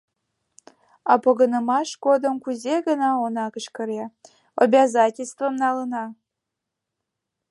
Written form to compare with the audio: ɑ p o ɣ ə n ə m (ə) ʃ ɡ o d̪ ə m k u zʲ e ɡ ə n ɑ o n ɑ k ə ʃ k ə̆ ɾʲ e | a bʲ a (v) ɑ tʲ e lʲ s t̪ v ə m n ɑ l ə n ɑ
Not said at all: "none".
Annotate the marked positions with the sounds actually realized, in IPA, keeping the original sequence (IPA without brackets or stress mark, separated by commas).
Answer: ɑ, z